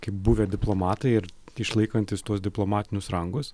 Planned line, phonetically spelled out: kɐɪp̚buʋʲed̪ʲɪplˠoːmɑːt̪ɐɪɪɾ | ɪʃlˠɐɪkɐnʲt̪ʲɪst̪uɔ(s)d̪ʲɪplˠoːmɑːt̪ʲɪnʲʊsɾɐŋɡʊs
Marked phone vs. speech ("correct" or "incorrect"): correct